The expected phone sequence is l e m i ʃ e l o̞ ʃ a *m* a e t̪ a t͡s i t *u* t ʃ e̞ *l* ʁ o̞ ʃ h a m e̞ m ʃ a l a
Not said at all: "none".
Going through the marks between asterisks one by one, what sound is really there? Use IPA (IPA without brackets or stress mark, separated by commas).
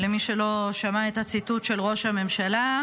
m, u, l